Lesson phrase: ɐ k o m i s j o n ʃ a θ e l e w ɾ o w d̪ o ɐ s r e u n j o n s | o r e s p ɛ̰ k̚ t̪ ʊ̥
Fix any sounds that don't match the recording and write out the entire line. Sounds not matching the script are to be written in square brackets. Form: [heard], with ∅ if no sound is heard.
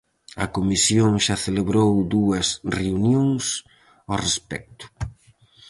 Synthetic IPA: ɐ k o m i s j o [ŋ] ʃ a θ e l e [β] ɾ o w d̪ [u] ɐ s r e u n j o [ŋ] s | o r e s p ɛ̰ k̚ t̪ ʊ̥